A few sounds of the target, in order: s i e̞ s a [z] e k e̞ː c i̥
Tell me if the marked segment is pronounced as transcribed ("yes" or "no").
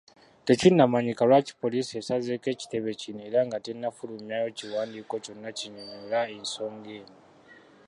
yes